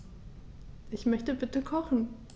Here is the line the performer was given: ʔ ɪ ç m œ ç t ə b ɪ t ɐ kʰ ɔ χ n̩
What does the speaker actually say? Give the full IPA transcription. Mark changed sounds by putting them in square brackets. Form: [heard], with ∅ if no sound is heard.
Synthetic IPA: ʔ ɪ ç m œ ç t ə b ɪ t [ə] kʰ ɔ χ n̩